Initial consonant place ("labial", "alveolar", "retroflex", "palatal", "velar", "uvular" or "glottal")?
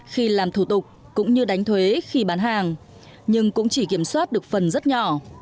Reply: velar